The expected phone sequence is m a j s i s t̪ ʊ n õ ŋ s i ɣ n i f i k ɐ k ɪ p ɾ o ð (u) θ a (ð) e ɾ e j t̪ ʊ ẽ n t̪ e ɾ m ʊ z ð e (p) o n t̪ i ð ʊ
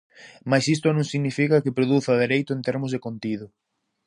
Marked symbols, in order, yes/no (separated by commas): yes, yes, no